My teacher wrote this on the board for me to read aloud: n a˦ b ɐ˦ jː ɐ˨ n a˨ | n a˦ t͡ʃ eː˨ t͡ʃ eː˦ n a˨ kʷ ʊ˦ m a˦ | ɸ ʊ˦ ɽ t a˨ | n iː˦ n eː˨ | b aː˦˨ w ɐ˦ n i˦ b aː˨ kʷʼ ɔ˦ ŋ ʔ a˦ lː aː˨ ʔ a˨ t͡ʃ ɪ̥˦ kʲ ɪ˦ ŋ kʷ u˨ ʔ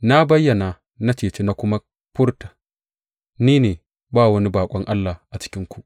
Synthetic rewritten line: n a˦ b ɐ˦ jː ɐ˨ n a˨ | n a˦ t͡ʃ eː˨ t͡ʃ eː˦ n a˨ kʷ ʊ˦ m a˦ | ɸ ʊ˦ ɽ t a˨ | n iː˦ n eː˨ | b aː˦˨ w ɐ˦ n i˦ b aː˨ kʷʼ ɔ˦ ŋ ʔ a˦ lː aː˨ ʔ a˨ t͡ʃ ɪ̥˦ kʲ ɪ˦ ŋ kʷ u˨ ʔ